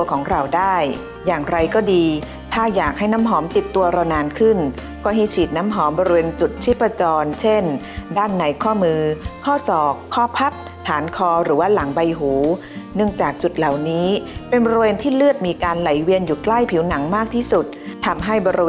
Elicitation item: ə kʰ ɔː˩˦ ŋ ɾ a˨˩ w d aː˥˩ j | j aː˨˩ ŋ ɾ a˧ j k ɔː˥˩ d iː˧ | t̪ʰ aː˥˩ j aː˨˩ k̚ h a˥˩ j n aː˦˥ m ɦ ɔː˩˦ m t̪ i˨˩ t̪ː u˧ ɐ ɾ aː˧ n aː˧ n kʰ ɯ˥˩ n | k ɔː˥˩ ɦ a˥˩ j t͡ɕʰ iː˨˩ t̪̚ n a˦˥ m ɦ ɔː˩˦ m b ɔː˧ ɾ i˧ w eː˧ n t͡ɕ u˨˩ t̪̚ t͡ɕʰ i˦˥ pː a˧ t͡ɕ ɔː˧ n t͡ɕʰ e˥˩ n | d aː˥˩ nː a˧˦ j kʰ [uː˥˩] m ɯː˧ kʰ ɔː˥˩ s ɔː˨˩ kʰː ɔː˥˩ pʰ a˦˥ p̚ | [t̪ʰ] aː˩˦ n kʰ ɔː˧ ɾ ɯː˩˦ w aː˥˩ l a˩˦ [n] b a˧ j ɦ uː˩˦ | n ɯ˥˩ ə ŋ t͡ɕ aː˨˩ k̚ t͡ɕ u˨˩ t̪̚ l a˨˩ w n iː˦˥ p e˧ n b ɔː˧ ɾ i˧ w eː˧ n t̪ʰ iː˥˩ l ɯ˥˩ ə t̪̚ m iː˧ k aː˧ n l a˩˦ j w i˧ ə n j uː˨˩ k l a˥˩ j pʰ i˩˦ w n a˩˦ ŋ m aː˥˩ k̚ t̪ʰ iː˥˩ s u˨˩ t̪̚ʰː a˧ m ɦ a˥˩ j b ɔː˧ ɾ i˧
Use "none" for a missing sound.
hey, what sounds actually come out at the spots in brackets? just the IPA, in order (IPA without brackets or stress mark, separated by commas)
ɔː˥˩, t̪ʰ, ŋ